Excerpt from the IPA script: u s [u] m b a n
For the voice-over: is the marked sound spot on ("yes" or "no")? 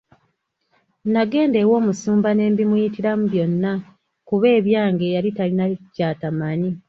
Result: no